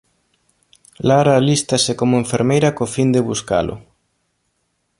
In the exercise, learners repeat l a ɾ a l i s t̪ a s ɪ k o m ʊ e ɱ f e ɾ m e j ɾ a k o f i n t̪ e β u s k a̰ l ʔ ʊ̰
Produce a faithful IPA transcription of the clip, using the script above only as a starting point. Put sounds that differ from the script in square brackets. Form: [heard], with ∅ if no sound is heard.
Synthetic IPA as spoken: l a ɾ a l i s t̪ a s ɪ k o m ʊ e ɱ f e ɾ m e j ɾ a k o f i n [d̪] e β u s k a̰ l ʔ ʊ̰